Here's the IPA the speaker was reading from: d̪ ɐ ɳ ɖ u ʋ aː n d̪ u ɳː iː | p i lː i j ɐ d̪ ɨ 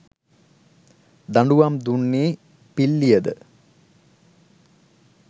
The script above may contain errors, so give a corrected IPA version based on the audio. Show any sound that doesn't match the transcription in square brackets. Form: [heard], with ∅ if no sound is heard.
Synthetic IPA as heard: d̪ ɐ ɳ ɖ u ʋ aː [m] d̪ u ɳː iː | p i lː i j ɐ d̪ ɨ